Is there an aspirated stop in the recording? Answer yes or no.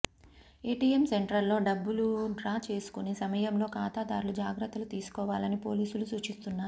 no